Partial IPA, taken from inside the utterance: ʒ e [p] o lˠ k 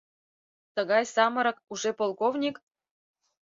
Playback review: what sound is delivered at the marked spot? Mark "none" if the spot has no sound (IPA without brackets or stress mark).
p